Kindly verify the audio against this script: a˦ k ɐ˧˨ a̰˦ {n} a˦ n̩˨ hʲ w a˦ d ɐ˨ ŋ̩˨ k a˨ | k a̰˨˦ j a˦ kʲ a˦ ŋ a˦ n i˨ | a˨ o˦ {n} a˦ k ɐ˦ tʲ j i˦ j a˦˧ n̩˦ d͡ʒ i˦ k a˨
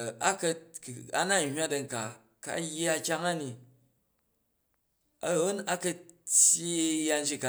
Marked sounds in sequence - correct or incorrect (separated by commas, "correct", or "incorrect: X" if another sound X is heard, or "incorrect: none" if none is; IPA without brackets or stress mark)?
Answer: correct, correct